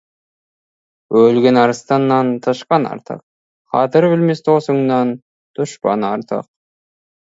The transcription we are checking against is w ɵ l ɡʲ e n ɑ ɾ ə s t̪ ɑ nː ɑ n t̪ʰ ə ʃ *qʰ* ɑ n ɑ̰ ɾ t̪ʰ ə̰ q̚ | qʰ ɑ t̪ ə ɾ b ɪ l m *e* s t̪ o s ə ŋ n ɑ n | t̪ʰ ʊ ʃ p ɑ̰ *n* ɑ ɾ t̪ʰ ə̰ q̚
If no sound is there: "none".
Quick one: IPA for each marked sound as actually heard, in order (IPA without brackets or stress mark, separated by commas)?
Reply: q, e, n